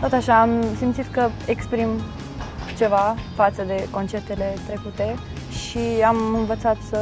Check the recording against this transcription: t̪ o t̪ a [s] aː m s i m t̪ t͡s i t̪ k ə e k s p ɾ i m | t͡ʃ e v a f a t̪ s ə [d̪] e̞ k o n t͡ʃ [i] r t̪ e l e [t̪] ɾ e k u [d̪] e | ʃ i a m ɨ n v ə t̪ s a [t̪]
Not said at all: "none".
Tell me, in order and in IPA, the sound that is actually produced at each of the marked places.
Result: ʃ, d̪, e, t̪, t̪, t̪

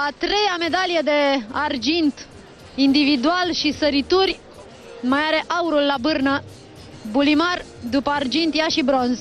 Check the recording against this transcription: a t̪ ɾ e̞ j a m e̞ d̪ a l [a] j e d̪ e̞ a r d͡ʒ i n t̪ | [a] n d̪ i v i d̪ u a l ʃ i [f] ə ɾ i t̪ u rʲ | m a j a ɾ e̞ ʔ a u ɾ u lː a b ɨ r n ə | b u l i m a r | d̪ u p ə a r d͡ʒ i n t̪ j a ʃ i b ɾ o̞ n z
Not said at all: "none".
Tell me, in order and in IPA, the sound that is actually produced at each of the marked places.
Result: i, i, s

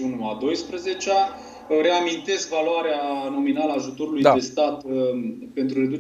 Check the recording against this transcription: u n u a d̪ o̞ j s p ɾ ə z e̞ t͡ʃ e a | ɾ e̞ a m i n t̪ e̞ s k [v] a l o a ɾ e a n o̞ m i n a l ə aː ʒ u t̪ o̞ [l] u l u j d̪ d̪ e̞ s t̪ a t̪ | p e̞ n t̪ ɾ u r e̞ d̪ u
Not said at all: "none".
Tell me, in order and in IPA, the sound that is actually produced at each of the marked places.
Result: v, ɾ

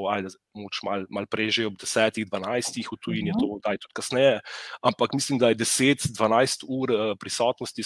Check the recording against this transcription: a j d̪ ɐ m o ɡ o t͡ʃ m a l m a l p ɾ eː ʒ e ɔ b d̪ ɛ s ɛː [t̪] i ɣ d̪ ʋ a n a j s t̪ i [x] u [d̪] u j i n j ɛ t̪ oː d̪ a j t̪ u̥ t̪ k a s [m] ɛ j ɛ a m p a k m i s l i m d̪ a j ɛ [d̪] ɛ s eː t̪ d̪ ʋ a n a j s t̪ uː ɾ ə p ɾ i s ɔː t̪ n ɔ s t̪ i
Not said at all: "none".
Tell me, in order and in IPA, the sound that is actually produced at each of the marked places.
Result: t̪, x, t̪, n, d̪

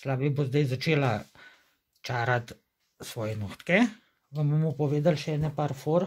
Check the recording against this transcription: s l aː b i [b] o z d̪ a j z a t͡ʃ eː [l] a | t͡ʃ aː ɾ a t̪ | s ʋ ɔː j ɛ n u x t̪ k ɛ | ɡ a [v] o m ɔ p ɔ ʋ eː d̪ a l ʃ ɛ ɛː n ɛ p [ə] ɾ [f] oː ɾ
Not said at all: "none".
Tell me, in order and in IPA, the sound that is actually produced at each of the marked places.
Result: b, l, b, a, f

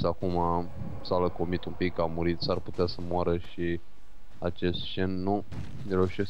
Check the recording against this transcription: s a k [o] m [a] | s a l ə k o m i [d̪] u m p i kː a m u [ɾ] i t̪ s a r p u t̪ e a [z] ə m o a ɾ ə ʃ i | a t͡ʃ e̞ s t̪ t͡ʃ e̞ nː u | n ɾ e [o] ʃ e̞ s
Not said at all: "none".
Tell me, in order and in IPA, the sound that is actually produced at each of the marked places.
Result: u, a, t̪, ɾ, s, u

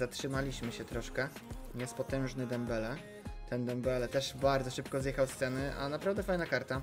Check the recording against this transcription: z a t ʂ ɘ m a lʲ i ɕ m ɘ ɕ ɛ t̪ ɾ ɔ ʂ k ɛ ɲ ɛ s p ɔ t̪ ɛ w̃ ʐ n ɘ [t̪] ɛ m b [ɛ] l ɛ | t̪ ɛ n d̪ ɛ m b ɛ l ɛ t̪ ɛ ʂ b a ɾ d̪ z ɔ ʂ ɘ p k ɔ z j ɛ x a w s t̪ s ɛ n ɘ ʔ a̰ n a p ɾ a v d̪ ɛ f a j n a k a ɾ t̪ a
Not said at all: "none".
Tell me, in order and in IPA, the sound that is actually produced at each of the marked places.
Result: d̪, ɛ

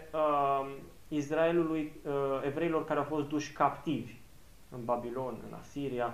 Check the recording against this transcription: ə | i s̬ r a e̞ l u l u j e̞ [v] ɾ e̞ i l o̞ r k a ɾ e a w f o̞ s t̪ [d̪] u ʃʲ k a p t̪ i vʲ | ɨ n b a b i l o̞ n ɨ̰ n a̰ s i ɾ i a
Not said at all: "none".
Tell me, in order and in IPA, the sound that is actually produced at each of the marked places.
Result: v, d̪

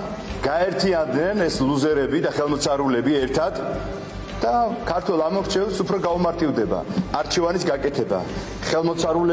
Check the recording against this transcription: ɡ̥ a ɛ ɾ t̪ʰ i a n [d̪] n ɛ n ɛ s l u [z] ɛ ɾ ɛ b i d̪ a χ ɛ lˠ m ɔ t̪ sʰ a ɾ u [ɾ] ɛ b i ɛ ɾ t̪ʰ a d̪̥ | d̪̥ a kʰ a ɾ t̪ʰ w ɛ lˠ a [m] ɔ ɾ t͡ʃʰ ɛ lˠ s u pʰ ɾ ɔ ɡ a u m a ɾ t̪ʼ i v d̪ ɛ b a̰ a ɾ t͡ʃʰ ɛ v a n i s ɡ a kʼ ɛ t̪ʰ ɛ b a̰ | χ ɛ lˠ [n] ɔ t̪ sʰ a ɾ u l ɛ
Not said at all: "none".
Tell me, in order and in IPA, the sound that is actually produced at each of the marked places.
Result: d̪, z, l, m, m

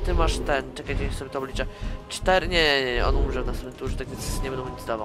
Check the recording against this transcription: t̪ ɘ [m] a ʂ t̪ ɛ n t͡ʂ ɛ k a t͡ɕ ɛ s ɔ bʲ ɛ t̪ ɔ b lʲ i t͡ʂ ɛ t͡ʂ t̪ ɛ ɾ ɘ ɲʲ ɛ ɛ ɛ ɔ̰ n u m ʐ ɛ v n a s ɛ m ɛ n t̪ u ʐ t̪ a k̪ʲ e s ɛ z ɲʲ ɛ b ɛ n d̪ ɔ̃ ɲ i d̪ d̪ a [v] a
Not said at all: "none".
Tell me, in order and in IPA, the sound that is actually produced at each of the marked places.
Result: m, v

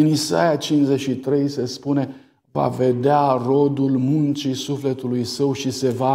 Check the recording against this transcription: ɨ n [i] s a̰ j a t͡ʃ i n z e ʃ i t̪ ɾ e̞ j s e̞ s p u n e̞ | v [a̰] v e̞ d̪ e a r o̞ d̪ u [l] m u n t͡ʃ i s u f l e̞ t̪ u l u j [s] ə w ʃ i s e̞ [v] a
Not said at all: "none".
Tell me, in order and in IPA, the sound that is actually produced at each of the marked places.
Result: i, a̰, l, s, v

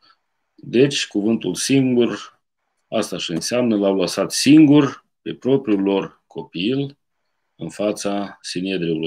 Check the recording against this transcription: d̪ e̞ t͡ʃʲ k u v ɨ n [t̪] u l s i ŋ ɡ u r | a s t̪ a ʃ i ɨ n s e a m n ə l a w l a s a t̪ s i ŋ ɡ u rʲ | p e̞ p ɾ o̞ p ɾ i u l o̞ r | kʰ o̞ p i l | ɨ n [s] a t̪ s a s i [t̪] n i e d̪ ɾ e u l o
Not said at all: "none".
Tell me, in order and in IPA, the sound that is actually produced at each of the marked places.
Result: t̪, f, none

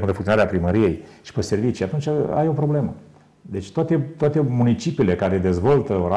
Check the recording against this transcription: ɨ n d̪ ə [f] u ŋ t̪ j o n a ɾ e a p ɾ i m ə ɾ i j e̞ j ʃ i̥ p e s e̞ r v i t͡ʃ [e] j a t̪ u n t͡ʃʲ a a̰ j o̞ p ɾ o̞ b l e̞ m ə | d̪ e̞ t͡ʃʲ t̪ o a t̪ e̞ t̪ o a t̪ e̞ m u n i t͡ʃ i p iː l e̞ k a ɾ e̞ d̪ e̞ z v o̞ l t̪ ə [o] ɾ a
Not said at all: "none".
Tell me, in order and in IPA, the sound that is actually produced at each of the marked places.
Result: f, i, o

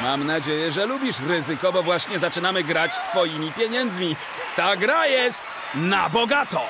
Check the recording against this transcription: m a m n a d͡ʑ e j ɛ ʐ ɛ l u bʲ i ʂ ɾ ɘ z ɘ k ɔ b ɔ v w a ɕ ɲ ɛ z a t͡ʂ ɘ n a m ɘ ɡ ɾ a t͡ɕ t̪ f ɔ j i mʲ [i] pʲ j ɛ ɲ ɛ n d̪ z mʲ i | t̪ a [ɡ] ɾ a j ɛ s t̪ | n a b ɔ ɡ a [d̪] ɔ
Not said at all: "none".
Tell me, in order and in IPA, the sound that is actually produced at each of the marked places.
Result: i, ɡ, t̪

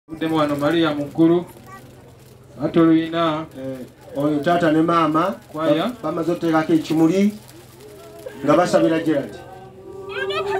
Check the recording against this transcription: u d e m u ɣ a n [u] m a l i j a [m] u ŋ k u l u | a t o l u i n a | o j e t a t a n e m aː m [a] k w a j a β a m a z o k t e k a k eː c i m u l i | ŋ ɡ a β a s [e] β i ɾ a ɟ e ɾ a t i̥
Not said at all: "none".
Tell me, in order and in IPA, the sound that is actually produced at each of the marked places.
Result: o, m, a, a

